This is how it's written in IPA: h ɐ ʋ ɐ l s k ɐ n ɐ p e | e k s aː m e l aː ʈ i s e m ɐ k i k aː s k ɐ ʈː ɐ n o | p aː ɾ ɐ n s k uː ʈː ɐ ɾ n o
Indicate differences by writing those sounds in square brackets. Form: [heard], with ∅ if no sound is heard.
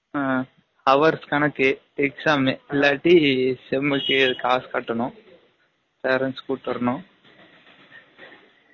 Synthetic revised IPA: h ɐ ʋ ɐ [ɾ] s k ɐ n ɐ [k] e | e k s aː m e l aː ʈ i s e m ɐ k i k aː s k ɐ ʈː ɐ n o | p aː ɾ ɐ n s k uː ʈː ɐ ɾ n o